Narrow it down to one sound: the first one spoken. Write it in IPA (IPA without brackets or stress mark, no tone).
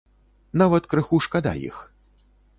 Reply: n